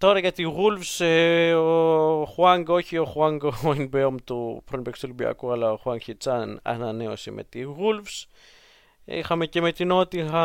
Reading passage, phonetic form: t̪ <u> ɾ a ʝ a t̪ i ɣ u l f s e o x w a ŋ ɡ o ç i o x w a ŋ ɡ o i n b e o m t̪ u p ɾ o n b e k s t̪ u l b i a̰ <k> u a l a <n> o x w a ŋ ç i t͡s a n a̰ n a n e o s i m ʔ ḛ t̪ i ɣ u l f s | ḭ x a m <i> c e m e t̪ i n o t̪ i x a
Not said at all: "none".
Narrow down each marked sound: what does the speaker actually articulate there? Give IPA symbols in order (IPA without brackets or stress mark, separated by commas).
o, k, none, e